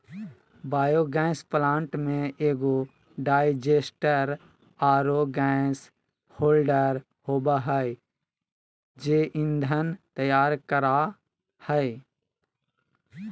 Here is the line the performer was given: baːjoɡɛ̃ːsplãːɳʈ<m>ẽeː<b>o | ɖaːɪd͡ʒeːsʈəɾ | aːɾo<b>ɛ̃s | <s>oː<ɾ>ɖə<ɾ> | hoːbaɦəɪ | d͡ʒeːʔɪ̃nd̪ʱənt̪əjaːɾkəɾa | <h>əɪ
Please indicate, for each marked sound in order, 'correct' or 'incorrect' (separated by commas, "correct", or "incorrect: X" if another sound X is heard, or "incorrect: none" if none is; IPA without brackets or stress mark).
correct, incorrect: ɡ, incorrect: ɡ, incorrect: h, incorrect: l, correct, correct